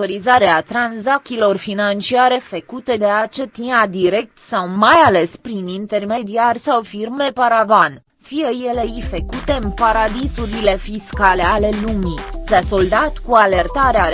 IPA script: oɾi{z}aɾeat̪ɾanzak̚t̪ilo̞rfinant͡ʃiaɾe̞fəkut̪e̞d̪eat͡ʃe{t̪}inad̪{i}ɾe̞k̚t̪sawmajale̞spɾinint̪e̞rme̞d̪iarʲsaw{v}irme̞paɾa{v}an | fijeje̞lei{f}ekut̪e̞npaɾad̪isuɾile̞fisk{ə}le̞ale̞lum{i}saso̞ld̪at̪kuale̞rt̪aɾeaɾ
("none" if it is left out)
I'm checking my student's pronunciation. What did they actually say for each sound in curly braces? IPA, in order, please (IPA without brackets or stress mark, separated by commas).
z, t̪, i, f, v, f, a, i